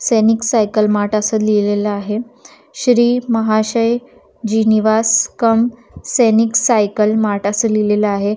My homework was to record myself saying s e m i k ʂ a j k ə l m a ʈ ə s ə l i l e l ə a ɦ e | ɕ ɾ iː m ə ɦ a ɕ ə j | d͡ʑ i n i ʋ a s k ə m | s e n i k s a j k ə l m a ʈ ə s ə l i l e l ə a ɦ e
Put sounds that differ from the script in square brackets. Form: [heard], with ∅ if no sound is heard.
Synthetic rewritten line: s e [n] i k [s] a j k ə l m a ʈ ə s ə l i l e l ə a ɦ e | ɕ ɾ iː m ə ɦ a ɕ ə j | d͡ʑ i n i ʋ a s k ə m | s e n i k s a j k ə l m a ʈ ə s ə l i l e l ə a ɦ e